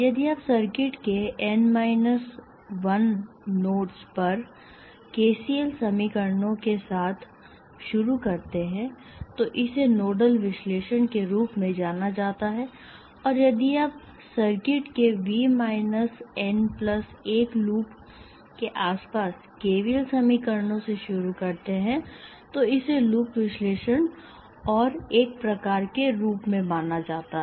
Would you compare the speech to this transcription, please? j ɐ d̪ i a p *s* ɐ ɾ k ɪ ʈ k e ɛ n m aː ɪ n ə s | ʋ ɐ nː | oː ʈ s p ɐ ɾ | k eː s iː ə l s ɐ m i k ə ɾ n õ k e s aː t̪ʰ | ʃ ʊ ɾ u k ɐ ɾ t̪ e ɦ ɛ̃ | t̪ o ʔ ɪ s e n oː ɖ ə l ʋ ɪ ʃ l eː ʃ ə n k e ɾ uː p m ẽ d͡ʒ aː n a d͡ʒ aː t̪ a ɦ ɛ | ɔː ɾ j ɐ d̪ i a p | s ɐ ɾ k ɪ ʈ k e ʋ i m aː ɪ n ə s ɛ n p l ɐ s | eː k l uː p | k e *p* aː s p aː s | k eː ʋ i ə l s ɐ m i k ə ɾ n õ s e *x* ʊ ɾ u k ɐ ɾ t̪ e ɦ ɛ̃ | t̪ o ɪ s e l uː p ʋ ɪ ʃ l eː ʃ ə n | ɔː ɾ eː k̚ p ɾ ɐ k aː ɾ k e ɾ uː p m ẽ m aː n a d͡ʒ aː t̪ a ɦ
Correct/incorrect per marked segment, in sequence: correct, incorrect: ʔ, incorrect: ʃ

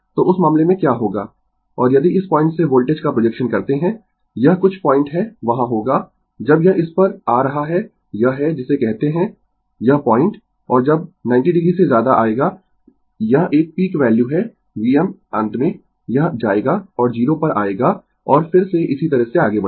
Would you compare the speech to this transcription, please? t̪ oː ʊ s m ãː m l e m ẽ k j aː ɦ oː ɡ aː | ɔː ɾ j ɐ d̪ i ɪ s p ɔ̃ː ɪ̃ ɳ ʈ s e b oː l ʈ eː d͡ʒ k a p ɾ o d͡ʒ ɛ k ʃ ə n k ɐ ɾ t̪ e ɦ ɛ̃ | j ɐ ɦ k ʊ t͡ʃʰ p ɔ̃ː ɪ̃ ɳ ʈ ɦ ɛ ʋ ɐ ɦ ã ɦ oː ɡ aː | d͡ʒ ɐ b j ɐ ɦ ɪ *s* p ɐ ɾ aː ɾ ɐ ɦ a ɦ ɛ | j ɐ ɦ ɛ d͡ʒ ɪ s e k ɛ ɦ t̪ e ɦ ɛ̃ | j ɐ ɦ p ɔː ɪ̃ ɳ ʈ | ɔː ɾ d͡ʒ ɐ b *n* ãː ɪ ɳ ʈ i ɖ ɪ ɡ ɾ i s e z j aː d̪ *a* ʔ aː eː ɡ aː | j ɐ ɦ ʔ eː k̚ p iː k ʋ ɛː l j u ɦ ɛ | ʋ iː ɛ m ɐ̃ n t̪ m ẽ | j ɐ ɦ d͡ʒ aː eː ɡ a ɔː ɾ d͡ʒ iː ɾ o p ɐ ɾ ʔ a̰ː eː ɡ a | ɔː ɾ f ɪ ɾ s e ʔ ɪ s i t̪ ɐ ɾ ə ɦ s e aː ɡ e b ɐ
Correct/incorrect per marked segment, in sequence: correct, correct, correct

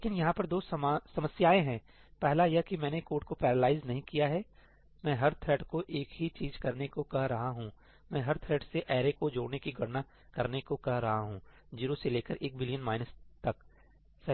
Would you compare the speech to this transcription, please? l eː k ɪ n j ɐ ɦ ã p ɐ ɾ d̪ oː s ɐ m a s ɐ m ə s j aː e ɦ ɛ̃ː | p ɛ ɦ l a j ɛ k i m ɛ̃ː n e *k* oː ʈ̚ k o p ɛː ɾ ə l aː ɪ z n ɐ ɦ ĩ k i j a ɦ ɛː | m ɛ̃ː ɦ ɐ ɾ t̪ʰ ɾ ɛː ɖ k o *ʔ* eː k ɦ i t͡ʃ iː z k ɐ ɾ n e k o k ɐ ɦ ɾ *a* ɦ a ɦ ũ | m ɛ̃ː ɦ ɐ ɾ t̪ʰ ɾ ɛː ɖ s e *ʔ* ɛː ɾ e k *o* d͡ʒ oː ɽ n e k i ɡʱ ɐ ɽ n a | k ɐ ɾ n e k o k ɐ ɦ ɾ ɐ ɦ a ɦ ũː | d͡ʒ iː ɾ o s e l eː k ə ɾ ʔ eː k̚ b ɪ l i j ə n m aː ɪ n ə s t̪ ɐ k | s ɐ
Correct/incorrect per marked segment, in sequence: correct, correct, incorrect: ɐ, correct, correct

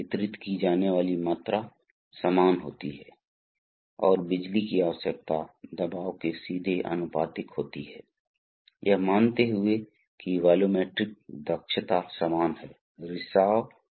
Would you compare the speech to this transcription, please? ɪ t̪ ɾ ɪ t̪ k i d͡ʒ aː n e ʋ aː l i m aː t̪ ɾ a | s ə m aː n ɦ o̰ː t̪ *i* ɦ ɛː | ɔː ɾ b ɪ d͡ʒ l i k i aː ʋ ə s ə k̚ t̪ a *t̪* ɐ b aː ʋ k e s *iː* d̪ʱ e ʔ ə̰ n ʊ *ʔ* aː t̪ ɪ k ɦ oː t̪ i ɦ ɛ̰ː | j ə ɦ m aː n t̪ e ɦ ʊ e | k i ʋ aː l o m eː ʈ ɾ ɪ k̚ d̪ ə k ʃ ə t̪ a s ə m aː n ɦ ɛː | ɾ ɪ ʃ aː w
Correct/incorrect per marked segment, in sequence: correct, incorrect: d̪, correct, incorrect: p

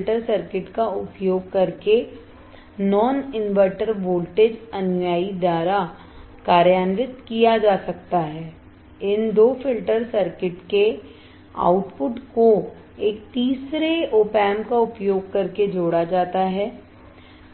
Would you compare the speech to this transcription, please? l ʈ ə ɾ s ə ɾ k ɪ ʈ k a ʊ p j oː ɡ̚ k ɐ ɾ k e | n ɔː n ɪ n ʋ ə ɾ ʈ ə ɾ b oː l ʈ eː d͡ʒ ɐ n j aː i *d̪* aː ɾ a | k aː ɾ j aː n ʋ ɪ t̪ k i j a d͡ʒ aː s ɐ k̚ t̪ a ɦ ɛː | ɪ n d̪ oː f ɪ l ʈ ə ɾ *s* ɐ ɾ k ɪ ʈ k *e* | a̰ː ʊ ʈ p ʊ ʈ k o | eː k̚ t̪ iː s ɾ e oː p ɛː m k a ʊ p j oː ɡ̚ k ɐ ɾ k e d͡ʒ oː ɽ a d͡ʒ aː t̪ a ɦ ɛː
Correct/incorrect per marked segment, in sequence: correct, correct, correct

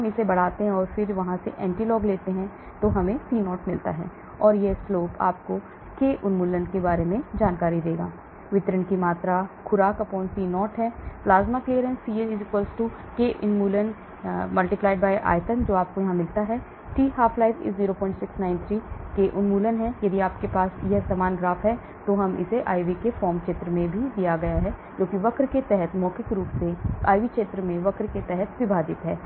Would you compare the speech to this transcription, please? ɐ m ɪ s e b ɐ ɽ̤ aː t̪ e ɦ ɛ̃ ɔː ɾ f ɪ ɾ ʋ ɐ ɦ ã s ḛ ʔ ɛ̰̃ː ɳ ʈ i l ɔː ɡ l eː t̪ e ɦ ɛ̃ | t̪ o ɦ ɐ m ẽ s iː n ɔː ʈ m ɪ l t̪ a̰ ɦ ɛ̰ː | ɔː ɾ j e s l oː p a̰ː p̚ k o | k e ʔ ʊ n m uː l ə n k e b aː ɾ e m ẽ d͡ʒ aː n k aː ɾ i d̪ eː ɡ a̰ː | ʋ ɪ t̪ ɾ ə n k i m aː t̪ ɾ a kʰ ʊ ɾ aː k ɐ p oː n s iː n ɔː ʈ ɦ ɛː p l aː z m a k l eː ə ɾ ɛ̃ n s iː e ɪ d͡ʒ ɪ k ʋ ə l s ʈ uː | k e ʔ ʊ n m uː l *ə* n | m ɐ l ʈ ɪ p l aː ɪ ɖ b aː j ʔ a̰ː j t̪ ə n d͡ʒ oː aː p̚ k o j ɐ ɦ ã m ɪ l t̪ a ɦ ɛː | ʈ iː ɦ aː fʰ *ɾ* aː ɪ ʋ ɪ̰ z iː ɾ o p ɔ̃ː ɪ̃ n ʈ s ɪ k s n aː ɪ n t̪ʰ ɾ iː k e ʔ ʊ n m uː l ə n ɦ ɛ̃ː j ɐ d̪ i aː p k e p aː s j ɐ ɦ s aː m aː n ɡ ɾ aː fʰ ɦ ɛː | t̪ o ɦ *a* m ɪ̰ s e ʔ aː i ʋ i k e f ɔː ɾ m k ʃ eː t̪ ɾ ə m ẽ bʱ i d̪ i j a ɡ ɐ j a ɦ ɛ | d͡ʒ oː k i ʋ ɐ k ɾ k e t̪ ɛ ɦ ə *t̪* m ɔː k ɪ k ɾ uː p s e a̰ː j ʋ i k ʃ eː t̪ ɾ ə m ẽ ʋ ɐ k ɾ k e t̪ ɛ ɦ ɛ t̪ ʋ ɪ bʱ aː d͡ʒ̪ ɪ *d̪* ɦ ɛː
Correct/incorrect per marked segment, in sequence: correct, incorrect: l, incorrect: ɐ, correct, incorrect: t̪

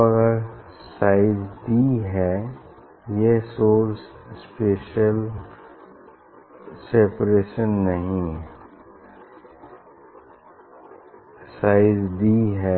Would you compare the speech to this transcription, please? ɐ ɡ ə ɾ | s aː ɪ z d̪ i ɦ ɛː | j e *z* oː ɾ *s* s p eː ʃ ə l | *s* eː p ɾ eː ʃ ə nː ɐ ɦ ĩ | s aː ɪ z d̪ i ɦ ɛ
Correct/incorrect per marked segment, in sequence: incorrect: s, correct, correct

